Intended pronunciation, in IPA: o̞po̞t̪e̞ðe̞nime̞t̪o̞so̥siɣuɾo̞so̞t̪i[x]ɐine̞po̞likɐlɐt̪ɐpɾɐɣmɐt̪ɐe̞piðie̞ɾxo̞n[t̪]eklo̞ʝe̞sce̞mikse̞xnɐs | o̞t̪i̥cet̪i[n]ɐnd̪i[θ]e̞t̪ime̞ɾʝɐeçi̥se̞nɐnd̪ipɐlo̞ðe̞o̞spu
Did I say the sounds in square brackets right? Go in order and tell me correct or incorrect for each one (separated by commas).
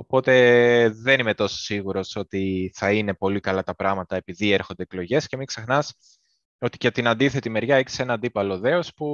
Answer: incorrect, incorrect, correct, correct